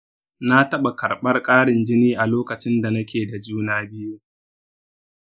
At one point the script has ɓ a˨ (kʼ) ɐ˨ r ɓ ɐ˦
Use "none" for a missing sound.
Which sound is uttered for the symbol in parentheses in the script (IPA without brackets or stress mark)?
k